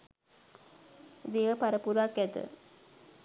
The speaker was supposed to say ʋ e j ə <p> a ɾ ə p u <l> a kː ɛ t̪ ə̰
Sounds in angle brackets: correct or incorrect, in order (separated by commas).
correct, incorrect